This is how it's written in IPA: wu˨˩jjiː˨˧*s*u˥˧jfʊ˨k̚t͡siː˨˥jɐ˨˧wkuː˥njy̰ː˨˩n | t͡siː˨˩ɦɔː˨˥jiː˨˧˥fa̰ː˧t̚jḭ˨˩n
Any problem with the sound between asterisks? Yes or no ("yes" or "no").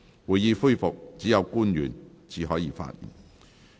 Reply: yes